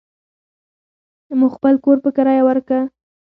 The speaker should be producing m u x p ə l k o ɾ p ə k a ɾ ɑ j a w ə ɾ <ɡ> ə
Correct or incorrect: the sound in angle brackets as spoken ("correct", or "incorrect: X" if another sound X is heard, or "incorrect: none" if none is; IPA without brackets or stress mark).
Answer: incorrect: k